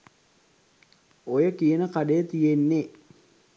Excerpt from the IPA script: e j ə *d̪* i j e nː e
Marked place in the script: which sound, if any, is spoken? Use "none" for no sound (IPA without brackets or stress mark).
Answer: t̪